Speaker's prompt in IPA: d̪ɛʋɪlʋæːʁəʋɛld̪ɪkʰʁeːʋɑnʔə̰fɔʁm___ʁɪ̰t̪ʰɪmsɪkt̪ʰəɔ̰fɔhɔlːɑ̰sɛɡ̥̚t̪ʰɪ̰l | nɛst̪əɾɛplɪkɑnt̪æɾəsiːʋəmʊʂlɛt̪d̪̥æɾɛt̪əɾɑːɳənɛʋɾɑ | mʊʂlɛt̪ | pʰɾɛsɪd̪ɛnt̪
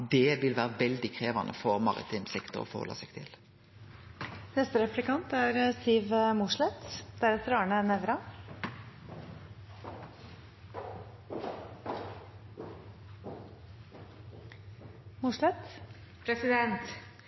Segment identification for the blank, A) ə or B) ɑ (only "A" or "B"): B